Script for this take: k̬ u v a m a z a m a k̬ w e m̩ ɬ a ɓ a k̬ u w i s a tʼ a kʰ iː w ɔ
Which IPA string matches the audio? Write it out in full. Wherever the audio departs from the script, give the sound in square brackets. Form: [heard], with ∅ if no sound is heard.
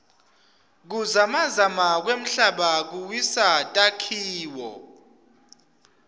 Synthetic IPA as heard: k̬ u [z] a m a z a m a k̬ w e m̩ ɬ a ɓ a k̬ u w i s a tʼ a kʰ iː w ɔ